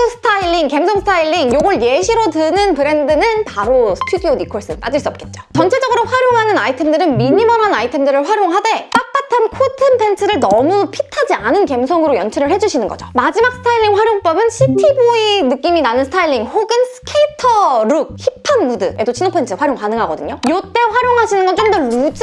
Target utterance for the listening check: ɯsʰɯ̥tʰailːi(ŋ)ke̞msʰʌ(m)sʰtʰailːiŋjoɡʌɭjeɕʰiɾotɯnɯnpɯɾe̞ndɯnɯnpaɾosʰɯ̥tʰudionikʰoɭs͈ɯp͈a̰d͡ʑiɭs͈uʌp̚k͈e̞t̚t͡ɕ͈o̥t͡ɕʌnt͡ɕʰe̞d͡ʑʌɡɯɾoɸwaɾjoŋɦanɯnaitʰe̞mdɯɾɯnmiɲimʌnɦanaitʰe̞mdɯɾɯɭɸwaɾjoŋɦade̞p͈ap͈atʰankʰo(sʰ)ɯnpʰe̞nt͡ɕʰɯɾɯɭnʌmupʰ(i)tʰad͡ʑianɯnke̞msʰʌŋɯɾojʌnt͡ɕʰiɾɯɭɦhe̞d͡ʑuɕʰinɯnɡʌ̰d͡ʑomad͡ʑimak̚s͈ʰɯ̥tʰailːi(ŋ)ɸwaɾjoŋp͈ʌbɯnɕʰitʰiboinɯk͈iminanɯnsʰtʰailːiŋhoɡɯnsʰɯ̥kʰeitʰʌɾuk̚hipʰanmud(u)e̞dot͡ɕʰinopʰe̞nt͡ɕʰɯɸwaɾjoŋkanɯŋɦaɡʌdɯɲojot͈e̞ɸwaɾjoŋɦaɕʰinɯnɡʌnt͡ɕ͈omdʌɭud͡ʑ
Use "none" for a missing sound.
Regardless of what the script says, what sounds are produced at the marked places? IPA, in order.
ŋ, ŋ, tʰ, i, ŋ, ɯ

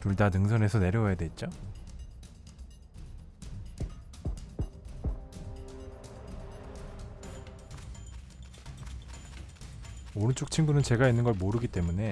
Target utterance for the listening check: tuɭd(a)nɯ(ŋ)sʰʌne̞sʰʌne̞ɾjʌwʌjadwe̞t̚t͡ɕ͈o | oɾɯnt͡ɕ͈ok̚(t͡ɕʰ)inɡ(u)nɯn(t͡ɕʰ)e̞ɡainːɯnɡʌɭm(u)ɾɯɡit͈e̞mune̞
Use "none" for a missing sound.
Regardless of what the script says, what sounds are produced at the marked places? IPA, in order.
a, ŋ, t͡ɕʰ, u, t͡ɕ, o

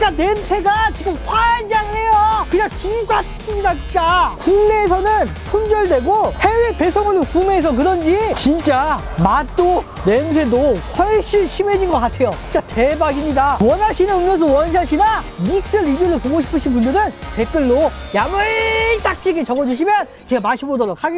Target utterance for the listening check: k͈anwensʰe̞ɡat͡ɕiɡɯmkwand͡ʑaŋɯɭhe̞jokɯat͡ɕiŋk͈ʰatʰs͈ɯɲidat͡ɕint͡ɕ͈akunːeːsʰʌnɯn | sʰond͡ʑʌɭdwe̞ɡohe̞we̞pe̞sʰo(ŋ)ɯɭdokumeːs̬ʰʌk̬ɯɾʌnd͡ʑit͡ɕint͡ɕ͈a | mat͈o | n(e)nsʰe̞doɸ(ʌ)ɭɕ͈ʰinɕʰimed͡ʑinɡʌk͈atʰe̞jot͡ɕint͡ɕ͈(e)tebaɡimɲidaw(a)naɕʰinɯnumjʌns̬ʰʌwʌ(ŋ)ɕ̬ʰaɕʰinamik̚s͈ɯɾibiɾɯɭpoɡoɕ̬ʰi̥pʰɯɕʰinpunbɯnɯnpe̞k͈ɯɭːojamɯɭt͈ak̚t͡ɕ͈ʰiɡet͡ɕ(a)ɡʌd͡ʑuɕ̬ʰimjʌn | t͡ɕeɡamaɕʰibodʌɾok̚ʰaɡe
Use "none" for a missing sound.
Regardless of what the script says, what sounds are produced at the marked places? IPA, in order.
ŋ, e, ʌ, a, ʌ, n, ʌ

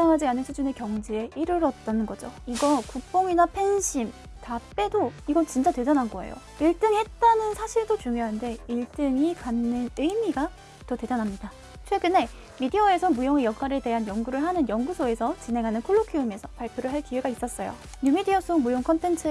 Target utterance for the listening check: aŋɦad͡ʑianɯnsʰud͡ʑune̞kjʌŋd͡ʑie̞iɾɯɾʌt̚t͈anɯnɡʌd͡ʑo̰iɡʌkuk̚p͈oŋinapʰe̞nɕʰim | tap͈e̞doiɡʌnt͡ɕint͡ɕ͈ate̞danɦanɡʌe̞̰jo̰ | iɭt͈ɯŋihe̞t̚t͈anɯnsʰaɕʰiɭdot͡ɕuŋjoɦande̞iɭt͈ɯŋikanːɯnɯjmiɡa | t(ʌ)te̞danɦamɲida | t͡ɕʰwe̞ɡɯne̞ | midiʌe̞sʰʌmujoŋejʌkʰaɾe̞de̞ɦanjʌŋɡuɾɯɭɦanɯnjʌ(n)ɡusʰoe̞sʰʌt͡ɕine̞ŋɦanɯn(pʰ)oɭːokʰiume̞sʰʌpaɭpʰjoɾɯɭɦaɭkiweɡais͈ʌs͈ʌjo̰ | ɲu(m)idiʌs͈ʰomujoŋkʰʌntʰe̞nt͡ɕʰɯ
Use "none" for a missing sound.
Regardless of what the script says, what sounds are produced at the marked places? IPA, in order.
ʌ, ŋ, kʰ, m

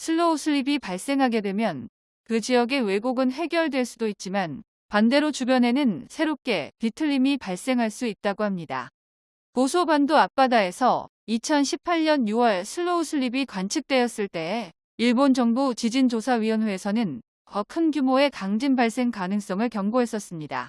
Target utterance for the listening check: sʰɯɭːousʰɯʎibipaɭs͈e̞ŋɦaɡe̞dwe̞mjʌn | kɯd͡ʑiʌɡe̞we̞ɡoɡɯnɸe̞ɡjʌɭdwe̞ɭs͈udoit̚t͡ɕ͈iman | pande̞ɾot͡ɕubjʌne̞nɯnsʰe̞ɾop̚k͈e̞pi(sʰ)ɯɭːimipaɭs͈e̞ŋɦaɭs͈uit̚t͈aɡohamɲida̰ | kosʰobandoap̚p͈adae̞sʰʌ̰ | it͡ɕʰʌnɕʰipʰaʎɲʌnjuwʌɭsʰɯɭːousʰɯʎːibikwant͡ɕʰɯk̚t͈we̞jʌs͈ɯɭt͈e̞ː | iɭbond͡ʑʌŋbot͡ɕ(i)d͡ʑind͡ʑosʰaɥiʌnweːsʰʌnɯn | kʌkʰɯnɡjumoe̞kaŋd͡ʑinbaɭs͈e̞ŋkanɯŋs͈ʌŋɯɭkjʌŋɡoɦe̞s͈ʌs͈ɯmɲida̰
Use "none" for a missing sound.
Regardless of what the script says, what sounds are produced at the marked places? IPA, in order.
tʰ, i

